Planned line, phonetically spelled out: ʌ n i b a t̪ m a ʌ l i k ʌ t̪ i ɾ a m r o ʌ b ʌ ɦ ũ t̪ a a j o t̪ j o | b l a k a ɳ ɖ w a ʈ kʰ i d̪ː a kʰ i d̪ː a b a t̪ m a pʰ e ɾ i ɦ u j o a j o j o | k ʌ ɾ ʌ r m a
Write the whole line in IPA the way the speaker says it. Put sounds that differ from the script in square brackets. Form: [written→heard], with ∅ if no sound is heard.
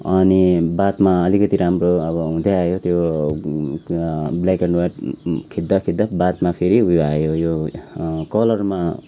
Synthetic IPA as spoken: ʌ n i b a t̪ m a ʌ l i k ʌ t̪ i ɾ a m r o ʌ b ʌ ɦ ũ [t̪→d̪] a a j o t̪ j o | b l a k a ɳ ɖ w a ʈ kʰ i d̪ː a kʰ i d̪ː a b a t̪ m a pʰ e ɾ i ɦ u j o a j o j o | k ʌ [ɾ→l] ʌ r m a

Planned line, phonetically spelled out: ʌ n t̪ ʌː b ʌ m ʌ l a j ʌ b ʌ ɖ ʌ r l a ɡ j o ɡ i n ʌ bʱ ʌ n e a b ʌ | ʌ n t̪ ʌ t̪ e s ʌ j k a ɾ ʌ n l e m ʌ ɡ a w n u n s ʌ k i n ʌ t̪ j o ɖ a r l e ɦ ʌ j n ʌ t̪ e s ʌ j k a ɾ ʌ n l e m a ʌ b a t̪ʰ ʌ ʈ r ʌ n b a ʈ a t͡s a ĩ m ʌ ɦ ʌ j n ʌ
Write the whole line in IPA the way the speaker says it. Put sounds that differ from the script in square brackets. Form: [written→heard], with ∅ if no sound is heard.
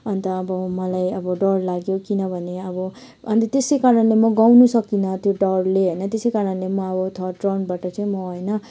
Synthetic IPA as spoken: ʌ n t̪ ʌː b ʌ m ʌ l a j ʌ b ʌ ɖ ʌ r l a ɡ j o [ɡ→k] i n ʌ bʱ ʌ n e [a→ʌ] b ʌ | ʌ n t̪ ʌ t̪ e s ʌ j k a ɾ ʌ n l e m ʌ ɡ a w n u [n→∅] s ʌ k i n ʌ t̪ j o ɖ [a→ʌ] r l e ɦ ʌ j n ʌ t̪ e s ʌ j k a ɾ ʌ n l e m [a→ʌ] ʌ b [a→ʌ] t̪ʰ ʌ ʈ r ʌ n b a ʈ [a→ʌ] t͡s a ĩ m ʌ ɦ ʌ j n ʌ

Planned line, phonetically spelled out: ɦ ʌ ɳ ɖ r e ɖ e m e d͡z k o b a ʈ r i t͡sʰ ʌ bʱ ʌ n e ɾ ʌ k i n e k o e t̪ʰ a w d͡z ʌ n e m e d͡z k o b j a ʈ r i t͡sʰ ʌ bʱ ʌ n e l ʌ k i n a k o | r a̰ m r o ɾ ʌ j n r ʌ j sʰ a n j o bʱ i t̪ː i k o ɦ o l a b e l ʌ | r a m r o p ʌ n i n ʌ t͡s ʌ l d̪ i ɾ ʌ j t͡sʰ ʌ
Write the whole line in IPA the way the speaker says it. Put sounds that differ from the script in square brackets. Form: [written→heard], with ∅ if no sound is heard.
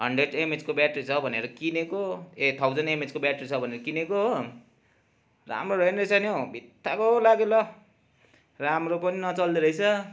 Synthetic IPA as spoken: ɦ ʌ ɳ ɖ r e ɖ e m e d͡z k o b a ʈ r i t͡sʰ ʌ bʱ ʌ n e ɾ ʌ k i n e k o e t̪ʰ a w d͡z ʌ n e m e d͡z k o b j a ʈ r i t͡sʰ ʌ bʱ ʌ n e [l→ɾ] ʌ k i n [a→e] k o | r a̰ m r o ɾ ʌ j n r ʌ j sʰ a n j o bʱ i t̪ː [i→a] k o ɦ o l a [b→ɡ] e l ʌ | r a m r o p ʌ n i n ʌ t͡s ʌ l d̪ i ɾ ʌ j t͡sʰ ʌ

